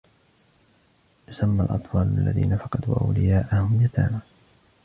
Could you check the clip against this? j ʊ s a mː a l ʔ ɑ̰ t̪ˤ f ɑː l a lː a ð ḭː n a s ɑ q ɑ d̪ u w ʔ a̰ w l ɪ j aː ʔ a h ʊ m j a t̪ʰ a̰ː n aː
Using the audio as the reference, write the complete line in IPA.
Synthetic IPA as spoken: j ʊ s a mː a l ʔ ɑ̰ t̪ˤ f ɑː l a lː a ð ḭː n a f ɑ q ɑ d̪ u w ʔ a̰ w l ɪ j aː ʔ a h ʊ m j a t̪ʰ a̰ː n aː

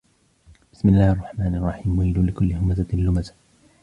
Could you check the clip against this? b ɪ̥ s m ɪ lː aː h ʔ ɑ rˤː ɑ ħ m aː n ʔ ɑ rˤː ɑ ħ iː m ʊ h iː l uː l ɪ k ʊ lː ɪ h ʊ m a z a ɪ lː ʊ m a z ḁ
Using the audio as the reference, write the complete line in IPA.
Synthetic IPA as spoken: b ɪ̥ s m ɪ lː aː h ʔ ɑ rˤː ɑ ħ m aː n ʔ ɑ rˤː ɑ ħ iː m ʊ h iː l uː l ɪ k ʊ lː ɪ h ʊ m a z a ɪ lː ʊ m a z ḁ

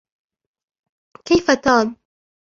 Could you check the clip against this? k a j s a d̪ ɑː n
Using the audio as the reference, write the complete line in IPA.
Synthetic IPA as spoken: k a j f a t̪ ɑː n

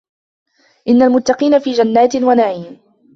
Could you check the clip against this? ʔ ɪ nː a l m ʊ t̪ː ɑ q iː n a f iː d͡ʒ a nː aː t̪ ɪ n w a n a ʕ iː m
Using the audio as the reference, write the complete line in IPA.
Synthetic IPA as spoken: ʔ ɪ nː a l m ʊ t̪ː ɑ q iː n a f iː d͡ʒ a nː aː t̪ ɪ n w a n a ʕ iː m

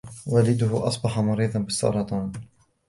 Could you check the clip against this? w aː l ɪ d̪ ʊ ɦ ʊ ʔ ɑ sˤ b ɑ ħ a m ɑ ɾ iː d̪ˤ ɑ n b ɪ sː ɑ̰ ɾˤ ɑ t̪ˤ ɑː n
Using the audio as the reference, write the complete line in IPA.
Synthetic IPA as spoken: w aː l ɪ d̪ ʊ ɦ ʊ ʔ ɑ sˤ b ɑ ħ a m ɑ ɾ iː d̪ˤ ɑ n b ɪ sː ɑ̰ ɾˤ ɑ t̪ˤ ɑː n

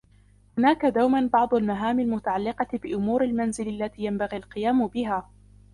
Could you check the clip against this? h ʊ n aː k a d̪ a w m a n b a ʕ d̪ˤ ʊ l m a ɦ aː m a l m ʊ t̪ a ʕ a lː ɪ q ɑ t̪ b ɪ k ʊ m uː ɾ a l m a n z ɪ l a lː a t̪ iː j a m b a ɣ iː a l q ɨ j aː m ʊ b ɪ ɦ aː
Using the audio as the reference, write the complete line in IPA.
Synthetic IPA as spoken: h ʊ n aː k a d̪ a w m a n b ɑ ʕ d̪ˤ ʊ l m a ɦ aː m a l m ʊ t̪ a ʕ a lː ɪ q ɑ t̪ b ɪ ʔ ʊ m uː ɾ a l m a n z ɪ l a lː a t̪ iː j a m b a ɣ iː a l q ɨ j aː m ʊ b ɪ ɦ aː

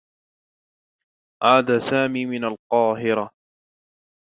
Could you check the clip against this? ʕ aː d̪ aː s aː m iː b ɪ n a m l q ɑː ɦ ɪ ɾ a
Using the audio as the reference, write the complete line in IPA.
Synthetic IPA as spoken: ʕ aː d̪ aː s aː m iː m ɪ n a l q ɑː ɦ ɪ ɾ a

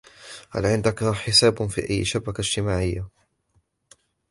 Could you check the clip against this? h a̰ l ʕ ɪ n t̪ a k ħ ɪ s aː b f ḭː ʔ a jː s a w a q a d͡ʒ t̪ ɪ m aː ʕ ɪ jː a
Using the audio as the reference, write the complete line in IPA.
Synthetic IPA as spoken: h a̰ l ʕ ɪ n d̪ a k ħ ɪ s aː b f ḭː ʔ a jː ʃ a b a k a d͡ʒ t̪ ɪ m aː ʕ ɪ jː a

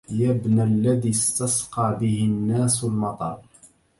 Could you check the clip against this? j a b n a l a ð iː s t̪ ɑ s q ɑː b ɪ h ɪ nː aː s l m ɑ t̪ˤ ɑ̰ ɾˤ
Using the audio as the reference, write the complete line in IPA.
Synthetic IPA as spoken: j a b n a lː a ð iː s t̪ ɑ s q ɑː b ɪ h ɪ nː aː s l m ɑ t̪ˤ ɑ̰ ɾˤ

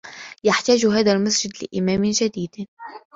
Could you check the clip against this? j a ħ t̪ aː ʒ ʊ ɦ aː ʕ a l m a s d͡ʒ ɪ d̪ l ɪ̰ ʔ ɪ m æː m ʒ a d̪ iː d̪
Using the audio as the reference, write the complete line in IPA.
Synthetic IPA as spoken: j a ħ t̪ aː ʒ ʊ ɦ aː ð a l m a s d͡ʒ ɪ d̪ l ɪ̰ ʔ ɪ m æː m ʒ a d̪ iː d̪

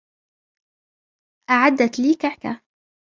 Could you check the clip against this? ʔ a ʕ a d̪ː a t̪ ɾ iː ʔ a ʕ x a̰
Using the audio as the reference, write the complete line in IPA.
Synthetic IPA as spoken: ʔ a ʕ a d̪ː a t̪ l iː k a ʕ k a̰

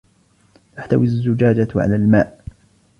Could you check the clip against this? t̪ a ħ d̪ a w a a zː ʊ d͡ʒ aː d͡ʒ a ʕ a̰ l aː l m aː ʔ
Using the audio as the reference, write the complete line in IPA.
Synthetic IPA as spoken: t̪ a ħ t̪ a w i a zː ʊ d͡ʒ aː d͡ʒ a ʕ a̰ l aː l m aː ʔ

